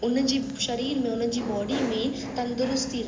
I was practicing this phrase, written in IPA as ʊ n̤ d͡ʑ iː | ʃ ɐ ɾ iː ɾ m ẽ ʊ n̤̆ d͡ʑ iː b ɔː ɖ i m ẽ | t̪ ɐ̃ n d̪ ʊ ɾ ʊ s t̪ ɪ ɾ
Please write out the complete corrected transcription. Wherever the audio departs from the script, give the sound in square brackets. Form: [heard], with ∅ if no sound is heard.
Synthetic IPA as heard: ʊ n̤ d͡ʑ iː | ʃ ɐ ɾ iː ɾ m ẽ ʊ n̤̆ d͡ʑ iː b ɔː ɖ i m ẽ | t̪ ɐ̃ n d̪ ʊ ɾ ʊ s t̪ [i] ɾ